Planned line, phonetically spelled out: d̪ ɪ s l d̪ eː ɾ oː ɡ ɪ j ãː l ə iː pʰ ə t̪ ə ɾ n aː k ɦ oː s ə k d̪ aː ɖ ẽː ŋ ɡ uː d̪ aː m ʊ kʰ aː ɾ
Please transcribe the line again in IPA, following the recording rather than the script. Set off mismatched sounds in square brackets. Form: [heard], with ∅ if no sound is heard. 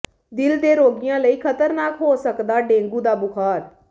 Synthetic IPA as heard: d̪ ɪ [∅] l d̪ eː ɾ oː ɡ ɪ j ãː l ə iː [kʰ] ə t̪ ə ɾ n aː k ɦ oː s ə k d̪ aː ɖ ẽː ŋ ɡ uː d̪ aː [b] ʊ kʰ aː ɾ